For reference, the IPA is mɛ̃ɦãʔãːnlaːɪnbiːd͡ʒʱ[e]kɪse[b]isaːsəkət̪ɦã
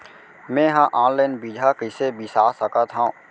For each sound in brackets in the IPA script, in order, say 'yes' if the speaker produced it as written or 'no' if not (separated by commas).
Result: no, yes